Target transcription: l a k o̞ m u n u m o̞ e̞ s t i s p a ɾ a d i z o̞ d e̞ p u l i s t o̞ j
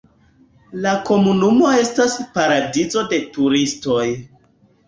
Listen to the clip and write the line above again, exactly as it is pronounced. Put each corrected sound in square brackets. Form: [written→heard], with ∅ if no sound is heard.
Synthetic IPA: l a k o̞ m u n u m o̞ e̞ s t [i→a] s p a ɾ a d i z o̞ d e̞ [p→t] u [l→ɾ] i s t o̞ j